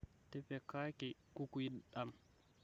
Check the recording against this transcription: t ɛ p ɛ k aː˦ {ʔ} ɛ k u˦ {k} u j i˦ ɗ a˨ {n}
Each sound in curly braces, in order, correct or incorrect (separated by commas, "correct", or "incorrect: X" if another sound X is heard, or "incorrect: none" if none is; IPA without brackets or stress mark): incorrect: k, correct, incorrect: m